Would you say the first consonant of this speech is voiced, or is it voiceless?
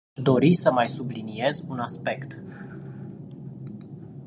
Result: voiced